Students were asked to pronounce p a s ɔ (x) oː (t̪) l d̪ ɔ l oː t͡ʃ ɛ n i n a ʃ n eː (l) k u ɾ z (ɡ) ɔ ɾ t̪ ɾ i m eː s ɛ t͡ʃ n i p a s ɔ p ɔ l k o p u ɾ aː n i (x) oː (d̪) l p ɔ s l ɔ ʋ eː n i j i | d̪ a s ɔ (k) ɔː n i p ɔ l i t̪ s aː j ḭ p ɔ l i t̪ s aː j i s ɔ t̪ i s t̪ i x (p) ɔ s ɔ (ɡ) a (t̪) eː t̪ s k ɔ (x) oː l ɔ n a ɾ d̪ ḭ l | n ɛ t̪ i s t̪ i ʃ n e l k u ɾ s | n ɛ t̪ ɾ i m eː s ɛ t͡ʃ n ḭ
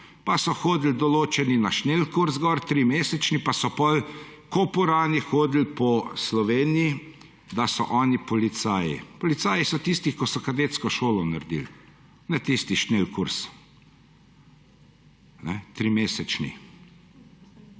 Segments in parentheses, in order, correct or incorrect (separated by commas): correct, incorrect, correct, correct, correct, correct, incorrect, incorrect, incorrect, incorrect, incorrect